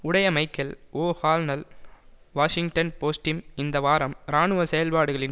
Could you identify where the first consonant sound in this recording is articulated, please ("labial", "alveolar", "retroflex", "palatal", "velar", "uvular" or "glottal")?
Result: retroflex